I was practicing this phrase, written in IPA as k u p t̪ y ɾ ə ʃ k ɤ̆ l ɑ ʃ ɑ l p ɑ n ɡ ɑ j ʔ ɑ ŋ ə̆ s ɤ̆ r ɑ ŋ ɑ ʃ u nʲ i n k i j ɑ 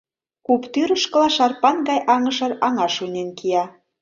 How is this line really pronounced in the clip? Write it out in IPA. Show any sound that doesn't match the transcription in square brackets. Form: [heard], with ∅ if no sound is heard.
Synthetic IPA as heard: k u p t̪ y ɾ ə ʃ k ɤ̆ l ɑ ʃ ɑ [r] p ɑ n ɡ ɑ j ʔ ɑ ŋ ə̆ [ʃ] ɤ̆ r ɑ ŋ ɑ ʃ u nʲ [e] n k i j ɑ

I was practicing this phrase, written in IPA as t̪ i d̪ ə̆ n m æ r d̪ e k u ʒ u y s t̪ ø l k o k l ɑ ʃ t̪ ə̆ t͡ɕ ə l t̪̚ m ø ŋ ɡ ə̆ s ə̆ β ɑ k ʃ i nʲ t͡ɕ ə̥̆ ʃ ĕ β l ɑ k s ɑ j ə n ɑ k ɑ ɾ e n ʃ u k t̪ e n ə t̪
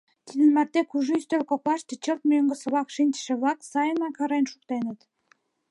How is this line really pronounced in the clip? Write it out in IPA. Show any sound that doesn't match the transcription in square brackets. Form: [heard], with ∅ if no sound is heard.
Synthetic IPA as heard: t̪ i d̪ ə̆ n m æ r [t̪] e k u ʒ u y s t̪ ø l k o k l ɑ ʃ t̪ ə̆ t͡ɕ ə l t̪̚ m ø ŋ ɡ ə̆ s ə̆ β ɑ k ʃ i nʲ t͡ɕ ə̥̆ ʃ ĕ β l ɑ k s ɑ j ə n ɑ k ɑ ɾ e n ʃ u k t̪ e n ə t̪

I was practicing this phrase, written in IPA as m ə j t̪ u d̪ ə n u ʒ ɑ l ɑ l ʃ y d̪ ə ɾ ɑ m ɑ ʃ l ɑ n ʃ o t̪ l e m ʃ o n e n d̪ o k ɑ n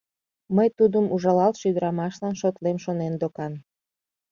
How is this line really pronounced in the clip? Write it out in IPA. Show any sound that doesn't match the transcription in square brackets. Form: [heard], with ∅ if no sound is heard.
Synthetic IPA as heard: m ə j t̪ u d̪ ə [m] u ʒ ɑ l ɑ l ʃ y d̪ ə ɾ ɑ m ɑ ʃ l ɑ n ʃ o t̪ l e m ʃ o n e n d̪ o k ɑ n

